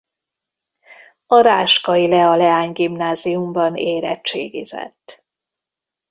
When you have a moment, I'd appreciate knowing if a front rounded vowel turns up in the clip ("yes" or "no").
no